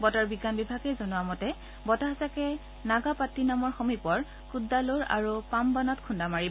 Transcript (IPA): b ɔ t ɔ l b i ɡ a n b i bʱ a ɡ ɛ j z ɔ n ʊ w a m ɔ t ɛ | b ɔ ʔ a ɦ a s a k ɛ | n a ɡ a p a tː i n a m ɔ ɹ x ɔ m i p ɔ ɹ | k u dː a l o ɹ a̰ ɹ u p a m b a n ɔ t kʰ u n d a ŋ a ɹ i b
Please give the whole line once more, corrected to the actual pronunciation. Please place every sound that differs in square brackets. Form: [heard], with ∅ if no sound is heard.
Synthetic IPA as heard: b ɔ t ɔ [ɹ] b i ɡ a n b i bʱ a ɡ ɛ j z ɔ n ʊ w a m ɔ t ɛ | b ɔ [t] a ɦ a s a k ɛ | n a ɡ a p a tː i n a m ɔ ɹ x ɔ m i p ɔ ɹ | k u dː a l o ɹ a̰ ɹ u p a m b a n ɔ t kʰ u n d a [m] a ɹ i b

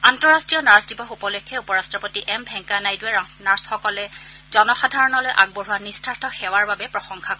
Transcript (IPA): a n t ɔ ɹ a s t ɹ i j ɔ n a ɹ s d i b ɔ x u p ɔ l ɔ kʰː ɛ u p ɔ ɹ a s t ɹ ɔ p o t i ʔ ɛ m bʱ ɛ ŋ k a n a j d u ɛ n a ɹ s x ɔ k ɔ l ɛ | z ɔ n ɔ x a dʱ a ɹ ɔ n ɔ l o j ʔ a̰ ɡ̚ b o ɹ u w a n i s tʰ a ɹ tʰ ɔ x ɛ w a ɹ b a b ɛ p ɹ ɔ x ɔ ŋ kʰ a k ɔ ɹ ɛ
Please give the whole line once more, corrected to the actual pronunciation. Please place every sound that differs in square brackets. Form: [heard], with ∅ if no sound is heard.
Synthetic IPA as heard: a n t ɔ ɹ a s t ɹ i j ɔ n a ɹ s d i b ɔ x u p ɔ l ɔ kʰː ɛ u p ɔ ɹ a s t ɹ ɔ p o t i ʔ ɛ m bʱ ɛ ŋ k a n a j d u ɛ n a ɹ s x ɔ k ɔ l ɛ | z ɔ n ɔ x a dʱ a ɹ ɔ n ɔ l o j ʔ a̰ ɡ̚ b o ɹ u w a n i s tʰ a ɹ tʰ ɔ x ɛ w a ɹ b a b ɛ p ɹ ɔ x ɔ ŋ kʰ a k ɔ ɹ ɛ

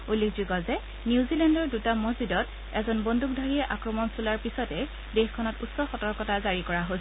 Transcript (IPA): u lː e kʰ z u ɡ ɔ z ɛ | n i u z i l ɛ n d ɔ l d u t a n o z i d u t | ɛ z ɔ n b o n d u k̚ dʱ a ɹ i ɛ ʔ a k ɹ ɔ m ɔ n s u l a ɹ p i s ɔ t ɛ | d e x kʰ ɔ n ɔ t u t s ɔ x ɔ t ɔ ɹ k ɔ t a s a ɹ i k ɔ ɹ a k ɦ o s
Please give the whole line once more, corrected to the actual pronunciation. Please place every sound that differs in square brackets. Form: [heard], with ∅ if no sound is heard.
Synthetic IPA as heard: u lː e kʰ z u ɡ ɔ z ɛ | n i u z i l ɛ n d ɔ [ɹ] d u t a [m] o z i d [ɔ] t | ɛ z ɔ n b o n d u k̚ dʱ a ɹ i ɛ ʔ a k ɹ ɔ m ɔ n s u l a ɹ p i s ɔ t ɛ | d e x kʰ ɔ n ɔ t u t s ɔ x ɔ t ɔ ɹ k ɔ t a [z] a ɹ i k ɔ ɹ a [∅] ɦ o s

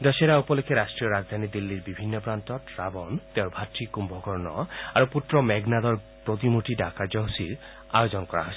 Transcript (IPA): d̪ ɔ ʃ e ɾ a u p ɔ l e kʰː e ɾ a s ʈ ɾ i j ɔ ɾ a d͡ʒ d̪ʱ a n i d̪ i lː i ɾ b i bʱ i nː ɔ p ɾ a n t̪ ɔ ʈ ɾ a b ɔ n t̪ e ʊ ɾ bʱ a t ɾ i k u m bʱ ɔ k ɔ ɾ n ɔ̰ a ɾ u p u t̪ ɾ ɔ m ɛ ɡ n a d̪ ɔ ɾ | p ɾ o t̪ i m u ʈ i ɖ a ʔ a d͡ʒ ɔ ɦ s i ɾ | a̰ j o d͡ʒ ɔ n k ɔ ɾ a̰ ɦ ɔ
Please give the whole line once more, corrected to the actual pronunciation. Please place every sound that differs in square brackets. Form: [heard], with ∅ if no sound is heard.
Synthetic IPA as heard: d̪ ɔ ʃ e ɾ a u p ɔ l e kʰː e ɾ a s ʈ ɾ i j ɔ ɾ a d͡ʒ d̪ʱ a n i d̪ i lː i ɾ b i bʱ i nː ɔ p ɾ a n t̪ ɔ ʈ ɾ a b ɔ n t̪ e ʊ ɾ bʱ a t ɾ i k u m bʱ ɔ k ɔ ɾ n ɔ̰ a ɾ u p u t̪ ɾ ɔ m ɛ ɡ n a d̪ ɔ ɾ | p ɾ o t̪ i m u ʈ i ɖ a [k] a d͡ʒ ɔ ɦ s i ɾ | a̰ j o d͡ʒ ɔ n k ɔ ɾ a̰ ɦ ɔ

